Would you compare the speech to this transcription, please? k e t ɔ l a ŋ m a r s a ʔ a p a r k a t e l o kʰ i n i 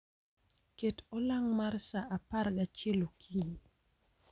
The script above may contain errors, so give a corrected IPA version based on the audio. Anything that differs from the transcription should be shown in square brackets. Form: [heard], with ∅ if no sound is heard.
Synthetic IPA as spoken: k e t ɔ l a ŋ m a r s a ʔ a p a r [ɡ] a [t͡ʃ] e l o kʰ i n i